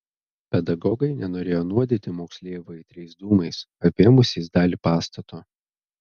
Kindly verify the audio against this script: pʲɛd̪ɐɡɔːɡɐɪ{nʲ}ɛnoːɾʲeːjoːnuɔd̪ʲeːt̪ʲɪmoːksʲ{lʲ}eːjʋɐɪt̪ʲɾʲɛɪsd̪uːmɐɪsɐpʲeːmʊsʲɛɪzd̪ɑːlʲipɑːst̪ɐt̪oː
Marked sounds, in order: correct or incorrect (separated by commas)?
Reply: correct, correct